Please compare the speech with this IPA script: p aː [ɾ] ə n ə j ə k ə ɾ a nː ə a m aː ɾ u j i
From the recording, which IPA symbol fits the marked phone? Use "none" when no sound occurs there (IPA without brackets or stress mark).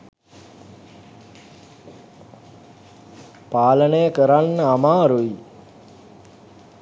l